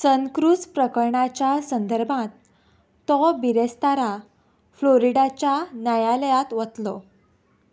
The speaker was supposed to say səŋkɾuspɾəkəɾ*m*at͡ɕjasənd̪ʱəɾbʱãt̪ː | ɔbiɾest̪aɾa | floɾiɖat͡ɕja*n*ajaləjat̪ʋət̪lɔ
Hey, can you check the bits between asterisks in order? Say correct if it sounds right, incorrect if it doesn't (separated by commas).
incorrect, correct